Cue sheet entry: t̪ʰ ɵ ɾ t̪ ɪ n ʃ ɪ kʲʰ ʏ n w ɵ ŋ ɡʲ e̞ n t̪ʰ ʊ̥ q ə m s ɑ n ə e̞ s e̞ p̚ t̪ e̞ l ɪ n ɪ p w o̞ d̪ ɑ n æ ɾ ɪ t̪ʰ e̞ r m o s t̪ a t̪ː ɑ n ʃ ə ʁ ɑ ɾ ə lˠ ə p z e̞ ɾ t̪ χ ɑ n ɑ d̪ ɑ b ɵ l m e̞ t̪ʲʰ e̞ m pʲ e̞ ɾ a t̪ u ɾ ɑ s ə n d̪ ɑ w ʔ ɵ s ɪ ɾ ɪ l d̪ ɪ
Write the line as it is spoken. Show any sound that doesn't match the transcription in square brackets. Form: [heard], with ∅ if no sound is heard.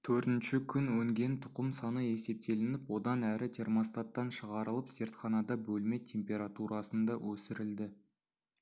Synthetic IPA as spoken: t̪ʰ ɵ ɾ t̪ ɪ n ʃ ɪ kʲʰ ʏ n w ɵ ŋ ɡʲ e̞ n t̪ʰ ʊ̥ q ə m s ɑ n ə e̞ s e̞ p̚ t̪ e̞ l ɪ n ɪ p w o̞ d̪ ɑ n æ ɾ ɪ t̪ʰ e̞ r m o s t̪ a t̪ː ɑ n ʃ ə ʁ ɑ ɾ ə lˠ ə p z e̞ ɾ t̪ χ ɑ n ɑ d̪ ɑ b ɵ l m e̞ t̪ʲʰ e̞ m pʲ e̞ ɾ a t̪ u ɾ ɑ s ə n d̪ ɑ w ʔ ɵ s ɪ ɾ ɪ l d̪ ɪ